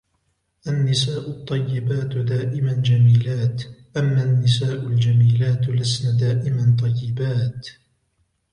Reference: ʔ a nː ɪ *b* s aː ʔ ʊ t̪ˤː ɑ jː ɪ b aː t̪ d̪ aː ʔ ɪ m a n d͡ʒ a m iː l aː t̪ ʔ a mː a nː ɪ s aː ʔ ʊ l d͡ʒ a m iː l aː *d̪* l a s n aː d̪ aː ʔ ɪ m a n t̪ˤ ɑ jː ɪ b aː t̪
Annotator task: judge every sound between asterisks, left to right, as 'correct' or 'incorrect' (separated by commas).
incorrect, incorrect